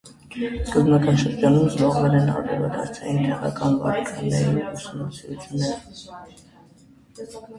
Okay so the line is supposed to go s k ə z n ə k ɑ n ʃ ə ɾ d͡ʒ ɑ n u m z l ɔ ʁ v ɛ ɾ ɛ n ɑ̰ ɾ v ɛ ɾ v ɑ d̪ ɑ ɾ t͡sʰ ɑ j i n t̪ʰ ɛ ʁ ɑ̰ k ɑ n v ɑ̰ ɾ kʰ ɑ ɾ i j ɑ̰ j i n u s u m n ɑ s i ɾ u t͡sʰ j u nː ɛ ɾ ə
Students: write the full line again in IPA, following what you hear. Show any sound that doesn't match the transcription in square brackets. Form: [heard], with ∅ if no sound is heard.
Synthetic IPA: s k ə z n [ɑ] k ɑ n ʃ ə ɾ d͡ʒ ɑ n u m z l ɔ ʁ v ɛ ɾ ɛ n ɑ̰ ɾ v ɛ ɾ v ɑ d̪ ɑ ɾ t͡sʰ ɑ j i n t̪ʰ ɛ ʁ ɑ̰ k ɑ n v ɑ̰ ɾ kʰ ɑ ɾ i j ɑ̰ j i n u s u m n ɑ s i ɾ u t͡sʰ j u nː ɛ ɾ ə